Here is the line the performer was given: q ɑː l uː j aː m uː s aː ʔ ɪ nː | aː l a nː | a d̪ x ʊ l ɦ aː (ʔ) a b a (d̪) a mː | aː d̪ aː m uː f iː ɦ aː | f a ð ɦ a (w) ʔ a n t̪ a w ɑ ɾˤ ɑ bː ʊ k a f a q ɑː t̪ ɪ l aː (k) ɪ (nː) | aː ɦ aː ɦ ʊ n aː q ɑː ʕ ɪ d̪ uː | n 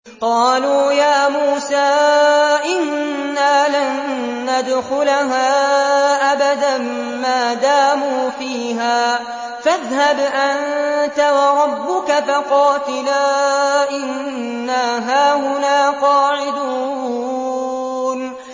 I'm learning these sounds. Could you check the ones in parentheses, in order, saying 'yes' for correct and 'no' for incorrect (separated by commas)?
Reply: yes, yes, no, no, yes